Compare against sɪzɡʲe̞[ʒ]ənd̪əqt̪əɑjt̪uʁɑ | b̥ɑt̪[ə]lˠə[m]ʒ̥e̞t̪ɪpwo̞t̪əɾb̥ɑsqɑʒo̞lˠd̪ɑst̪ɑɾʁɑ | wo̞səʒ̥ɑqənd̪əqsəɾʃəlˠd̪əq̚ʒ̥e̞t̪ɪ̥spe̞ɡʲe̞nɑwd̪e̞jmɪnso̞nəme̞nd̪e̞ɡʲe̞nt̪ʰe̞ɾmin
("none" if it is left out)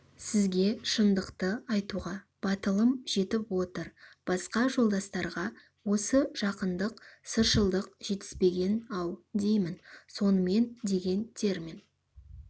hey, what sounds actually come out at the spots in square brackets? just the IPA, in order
ʃ, ə, m

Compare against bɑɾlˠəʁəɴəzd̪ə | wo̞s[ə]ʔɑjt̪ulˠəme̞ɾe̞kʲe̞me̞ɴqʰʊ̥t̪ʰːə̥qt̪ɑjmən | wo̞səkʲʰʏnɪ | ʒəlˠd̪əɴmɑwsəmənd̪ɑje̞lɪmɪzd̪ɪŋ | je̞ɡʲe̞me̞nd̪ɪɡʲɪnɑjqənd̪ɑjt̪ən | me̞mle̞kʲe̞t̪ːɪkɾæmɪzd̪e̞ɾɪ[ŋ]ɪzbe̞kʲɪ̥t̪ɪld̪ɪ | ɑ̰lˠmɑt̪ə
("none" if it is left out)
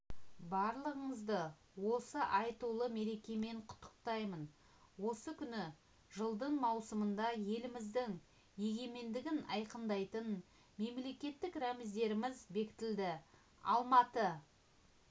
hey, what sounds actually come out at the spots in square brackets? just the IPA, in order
ə, m

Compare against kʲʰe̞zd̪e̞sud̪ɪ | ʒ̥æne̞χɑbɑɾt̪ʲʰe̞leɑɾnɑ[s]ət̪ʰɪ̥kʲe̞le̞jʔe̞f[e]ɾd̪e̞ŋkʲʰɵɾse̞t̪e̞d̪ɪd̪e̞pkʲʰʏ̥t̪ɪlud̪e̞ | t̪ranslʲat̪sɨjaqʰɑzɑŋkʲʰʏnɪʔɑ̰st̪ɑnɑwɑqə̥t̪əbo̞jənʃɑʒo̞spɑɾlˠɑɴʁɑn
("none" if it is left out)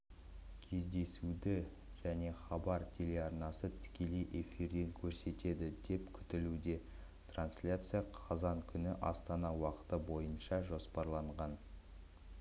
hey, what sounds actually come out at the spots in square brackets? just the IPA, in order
s, i

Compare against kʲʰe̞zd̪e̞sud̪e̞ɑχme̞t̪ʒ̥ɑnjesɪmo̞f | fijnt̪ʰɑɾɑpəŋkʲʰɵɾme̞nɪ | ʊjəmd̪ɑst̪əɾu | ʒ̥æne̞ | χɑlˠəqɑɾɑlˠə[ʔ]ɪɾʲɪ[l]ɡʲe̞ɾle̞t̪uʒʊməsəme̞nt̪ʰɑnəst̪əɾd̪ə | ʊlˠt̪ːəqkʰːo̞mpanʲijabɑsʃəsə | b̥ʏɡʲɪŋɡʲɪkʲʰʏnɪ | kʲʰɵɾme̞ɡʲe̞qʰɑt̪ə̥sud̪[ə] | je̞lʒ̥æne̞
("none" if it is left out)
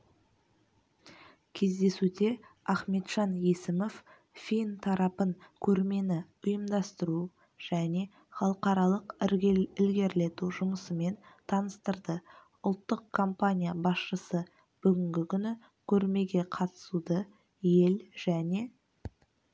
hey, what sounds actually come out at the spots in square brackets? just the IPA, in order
q, l, ə

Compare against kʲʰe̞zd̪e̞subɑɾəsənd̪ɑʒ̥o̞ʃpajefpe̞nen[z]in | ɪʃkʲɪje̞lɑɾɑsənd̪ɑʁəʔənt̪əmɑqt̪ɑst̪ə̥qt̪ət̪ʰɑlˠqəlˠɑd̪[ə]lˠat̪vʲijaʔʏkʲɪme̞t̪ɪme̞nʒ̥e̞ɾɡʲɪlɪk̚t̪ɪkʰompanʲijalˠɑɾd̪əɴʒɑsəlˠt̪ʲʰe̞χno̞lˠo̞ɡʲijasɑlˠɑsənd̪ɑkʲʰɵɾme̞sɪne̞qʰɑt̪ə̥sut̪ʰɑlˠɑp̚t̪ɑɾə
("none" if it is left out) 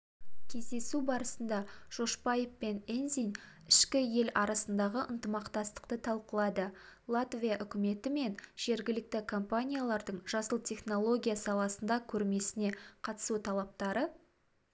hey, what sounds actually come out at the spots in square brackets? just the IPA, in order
z, ə

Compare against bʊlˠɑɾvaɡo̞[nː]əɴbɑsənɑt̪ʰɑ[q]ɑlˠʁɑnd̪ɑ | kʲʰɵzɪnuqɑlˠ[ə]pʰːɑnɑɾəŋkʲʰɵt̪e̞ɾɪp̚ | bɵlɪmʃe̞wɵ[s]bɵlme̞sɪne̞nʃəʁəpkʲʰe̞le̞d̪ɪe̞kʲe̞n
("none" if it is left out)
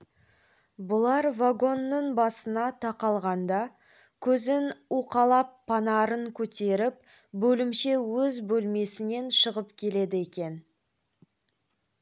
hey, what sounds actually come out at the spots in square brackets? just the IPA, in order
nː, q, ɑ, z

